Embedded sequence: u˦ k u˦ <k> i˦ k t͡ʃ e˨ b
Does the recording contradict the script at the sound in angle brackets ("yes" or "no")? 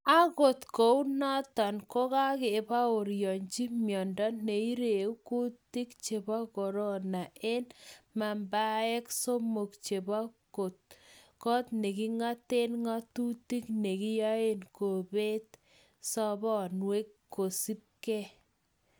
yes